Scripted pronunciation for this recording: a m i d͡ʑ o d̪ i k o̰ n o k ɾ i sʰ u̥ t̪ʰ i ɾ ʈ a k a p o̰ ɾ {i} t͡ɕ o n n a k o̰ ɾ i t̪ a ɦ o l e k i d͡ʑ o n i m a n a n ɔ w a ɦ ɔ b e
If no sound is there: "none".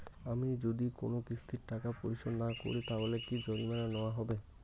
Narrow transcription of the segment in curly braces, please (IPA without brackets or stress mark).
i